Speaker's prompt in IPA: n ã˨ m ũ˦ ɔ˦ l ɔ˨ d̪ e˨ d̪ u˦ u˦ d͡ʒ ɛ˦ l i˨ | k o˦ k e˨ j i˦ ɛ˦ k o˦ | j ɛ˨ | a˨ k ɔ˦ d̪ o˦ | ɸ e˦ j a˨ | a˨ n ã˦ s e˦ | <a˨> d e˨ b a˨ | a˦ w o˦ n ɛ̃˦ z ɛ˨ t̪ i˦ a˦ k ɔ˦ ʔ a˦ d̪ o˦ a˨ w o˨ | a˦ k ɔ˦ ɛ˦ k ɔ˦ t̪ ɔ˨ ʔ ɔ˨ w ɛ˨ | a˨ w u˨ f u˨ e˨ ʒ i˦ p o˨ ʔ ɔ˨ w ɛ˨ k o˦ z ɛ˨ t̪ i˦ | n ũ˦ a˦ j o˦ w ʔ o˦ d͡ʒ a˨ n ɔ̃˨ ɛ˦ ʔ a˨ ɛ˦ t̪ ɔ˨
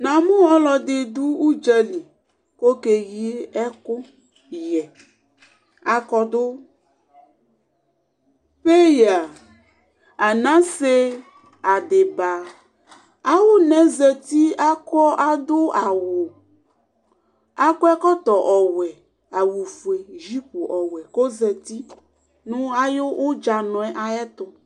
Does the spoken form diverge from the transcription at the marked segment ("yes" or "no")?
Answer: no